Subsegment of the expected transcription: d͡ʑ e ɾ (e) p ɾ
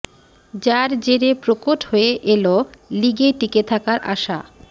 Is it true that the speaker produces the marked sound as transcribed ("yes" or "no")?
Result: yes